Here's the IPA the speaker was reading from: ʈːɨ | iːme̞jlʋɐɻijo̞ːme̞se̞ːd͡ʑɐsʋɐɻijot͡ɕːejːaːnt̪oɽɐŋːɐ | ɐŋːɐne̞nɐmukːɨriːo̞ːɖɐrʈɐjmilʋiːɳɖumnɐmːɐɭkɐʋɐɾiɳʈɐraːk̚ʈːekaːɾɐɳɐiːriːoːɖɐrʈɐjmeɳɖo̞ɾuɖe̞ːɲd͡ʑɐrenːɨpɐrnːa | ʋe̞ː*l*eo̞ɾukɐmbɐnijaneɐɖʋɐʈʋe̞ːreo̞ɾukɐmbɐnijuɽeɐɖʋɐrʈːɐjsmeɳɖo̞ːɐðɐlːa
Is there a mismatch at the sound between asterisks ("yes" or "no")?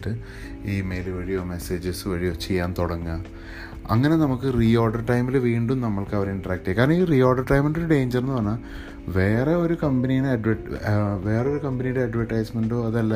yes